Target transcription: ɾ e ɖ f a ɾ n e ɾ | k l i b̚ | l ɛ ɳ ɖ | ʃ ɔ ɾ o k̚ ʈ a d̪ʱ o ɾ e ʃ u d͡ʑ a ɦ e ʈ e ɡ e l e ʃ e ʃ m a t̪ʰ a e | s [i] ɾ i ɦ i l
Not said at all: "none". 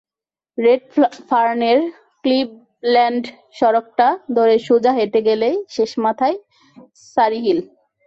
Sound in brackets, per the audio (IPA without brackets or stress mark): a